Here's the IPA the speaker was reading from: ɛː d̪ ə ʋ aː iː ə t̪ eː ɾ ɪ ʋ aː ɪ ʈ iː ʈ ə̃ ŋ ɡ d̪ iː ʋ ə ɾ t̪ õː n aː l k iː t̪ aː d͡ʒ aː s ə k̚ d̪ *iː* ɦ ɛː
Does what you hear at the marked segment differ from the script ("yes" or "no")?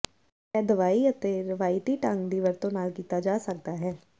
yes